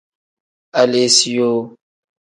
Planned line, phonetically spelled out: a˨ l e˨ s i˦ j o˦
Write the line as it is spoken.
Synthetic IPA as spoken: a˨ l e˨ s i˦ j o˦